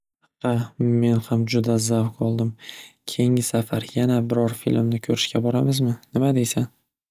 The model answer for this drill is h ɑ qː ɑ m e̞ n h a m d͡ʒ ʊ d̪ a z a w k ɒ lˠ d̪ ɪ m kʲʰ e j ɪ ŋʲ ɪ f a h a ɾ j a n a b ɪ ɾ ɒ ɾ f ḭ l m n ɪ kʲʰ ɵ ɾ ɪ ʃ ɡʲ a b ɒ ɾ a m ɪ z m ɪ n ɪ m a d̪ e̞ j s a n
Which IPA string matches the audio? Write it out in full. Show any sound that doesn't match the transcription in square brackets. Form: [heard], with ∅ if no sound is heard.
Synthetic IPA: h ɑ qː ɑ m e̞ n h a m d͡ʒ ʊ d̪ a z a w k ɒ lˠ d̪ ɪ m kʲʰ e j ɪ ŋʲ ɪ [s] a [f] a ɾ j a n a b ɪ ɾ ɒ ɾ f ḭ l m n ɪ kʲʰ ɵ ɾ ɪ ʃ [kʲ] a b ɒ ɾ a m ɪ z m ɪ n ɪ m a d̪ e̞ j s a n